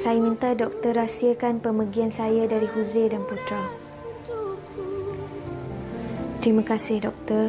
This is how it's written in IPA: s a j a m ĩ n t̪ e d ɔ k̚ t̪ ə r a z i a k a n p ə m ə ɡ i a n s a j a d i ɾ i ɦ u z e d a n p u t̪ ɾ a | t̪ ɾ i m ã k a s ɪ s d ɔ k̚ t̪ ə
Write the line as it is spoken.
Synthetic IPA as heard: s a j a m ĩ n t̪ a d ɔ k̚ t̪ ə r a s i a k a n p ə m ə ɡ i a n s a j a d a ɾ i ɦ u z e d a n p u t̪ ɾ a | t̪ ɾ i m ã k a s ɪ h d ɔ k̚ t̪ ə